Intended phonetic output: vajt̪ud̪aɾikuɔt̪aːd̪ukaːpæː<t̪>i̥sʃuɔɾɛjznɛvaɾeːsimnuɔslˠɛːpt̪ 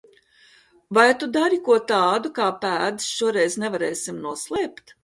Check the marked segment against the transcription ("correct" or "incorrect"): incorrect